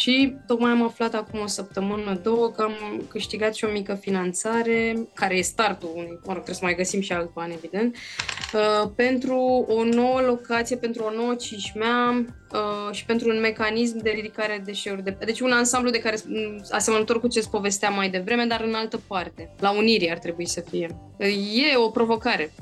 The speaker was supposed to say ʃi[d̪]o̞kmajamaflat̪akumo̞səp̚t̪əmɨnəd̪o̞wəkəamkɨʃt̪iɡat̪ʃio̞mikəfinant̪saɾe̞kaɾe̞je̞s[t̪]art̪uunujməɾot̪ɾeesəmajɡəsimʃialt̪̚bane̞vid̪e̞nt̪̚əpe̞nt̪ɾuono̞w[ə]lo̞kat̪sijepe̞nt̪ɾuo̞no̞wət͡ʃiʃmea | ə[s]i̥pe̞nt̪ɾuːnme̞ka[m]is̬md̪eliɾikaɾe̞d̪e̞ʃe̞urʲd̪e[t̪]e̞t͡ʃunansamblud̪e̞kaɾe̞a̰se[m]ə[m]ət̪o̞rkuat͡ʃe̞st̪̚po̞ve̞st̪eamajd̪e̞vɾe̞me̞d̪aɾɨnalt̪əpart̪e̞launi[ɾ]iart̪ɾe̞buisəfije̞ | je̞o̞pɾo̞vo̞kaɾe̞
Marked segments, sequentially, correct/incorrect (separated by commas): incorrect, correct, correct, incorrect, incorrect, incorrect, correct, incorrect, correct